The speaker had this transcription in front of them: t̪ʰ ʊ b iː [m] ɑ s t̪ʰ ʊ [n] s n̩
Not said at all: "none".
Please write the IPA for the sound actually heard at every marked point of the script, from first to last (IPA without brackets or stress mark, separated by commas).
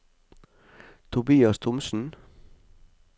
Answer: none, m